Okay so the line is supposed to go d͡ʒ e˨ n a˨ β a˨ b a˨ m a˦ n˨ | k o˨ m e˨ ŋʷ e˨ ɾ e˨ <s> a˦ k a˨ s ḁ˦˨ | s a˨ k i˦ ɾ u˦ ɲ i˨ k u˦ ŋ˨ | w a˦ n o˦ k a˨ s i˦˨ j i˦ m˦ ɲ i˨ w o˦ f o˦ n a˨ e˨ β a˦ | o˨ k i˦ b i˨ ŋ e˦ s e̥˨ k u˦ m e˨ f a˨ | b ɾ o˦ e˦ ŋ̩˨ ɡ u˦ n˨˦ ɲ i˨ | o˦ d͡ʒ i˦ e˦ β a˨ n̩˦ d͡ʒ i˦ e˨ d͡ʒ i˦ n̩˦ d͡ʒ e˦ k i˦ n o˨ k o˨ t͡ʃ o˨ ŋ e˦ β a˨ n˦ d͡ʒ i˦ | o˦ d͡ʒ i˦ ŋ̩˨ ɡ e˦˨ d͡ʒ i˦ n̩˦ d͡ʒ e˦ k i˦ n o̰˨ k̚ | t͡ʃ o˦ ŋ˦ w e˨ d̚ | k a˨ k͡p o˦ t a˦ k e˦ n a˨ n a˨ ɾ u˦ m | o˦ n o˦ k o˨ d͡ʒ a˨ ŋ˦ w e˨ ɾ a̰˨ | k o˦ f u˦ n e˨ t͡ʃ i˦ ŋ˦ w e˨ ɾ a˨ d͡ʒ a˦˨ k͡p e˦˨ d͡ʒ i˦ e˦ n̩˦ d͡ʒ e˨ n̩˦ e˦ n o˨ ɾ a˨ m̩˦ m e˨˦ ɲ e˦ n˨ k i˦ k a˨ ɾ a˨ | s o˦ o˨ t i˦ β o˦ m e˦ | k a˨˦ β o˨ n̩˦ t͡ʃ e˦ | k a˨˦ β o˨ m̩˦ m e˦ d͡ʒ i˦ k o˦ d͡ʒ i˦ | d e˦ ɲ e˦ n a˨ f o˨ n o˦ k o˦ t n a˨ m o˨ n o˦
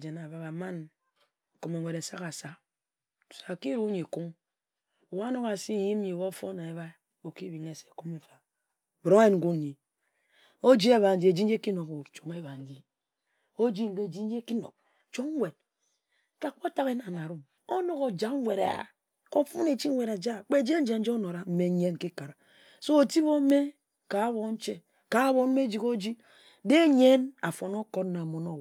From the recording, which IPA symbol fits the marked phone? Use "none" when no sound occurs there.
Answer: s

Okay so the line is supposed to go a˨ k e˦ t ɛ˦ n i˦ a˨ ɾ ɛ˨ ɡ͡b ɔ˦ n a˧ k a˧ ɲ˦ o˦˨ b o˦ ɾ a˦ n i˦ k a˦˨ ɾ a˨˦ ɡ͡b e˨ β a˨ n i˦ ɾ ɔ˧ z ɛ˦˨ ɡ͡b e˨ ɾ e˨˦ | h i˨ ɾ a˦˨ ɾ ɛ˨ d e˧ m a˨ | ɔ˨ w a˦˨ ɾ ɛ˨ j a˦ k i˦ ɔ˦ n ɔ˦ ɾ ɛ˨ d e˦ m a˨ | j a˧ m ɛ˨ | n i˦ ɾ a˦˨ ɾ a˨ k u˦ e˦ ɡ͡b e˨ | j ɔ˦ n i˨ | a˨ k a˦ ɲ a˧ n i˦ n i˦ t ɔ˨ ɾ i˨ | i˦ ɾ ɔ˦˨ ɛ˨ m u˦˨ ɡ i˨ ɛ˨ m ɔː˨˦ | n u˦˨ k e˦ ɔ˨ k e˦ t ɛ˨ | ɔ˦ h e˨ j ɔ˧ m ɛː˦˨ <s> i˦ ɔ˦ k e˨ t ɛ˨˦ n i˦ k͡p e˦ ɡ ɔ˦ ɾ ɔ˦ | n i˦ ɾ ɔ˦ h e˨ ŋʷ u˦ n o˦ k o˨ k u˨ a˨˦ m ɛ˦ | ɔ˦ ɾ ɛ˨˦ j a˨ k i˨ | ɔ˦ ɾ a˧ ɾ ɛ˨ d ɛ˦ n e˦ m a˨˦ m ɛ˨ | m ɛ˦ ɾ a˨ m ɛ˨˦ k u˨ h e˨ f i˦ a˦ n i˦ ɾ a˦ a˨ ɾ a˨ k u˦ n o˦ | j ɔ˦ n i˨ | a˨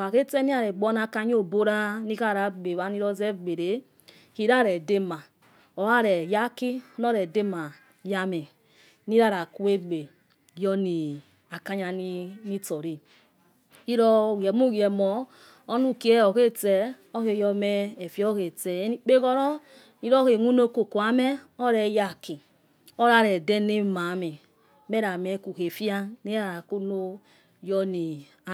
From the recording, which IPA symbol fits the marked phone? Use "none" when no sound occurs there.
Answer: f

